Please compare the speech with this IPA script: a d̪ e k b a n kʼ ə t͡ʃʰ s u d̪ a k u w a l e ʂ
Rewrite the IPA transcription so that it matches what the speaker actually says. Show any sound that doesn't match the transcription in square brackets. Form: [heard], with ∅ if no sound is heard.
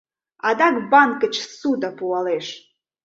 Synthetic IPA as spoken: a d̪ [a] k b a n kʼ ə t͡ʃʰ s u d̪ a [p] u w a l e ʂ